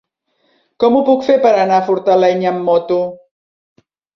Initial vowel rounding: rounded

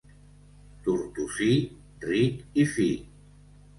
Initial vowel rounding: rounded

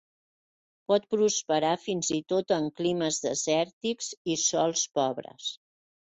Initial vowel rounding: rounded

